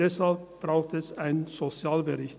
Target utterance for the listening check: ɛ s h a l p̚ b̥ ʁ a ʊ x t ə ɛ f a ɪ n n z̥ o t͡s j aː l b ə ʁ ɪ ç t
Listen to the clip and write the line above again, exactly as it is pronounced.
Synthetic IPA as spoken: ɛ s h a l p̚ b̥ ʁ a ʊ x t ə ɛ s a ɪ n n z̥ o t͡s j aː l b ə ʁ ɪ ç t